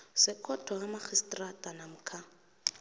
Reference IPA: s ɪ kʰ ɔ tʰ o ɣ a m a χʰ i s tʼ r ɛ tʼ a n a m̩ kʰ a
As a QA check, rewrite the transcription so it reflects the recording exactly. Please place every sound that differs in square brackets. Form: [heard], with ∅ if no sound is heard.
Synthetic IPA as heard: s ɪ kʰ ɔ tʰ [ɔ] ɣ a m a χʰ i s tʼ r [a] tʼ a n a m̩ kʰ a